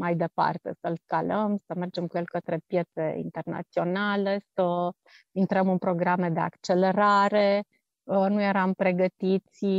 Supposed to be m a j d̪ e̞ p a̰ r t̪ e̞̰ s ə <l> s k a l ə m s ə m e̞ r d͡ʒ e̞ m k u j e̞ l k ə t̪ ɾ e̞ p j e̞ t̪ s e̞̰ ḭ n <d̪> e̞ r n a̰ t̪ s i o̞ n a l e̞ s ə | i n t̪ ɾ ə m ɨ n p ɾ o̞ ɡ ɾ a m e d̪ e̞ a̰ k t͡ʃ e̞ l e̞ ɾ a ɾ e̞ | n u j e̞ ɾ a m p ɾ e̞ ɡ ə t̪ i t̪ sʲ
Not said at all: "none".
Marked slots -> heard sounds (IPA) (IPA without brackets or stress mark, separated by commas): l, t̪